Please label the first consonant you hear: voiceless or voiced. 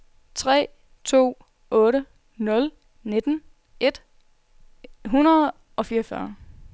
voiceless